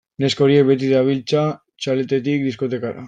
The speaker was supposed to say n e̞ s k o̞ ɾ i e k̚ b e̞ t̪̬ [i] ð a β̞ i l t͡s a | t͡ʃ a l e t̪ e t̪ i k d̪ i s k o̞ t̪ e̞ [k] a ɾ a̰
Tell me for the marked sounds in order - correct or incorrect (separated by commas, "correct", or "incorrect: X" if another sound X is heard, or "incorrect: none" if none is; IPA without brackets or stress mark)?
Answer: correct, correct